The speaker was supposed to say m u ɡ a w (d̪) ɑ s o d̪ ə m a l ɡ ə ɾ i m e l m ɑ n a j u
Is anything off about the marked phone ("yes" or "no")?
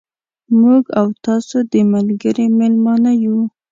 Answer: yes